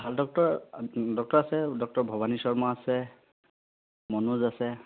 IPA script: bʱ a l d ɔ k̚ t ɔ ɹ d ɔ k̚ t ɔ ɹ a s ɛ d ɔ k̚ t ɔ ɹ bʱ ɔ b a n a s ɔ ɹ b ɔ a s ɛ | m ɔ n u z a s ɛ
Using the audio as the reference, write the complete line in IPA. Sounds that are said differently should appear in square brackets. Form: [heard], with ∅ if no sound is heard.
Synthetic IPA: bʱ a l d ɔ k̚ t ɔ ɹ d ɔ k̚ t ɔ ɹ a s ɛ d ɔ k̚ t ɔ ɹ bʱ ɔ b a n [i] s ɔ ɹ [m] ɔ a s ɛ | m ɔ n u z a s ɛ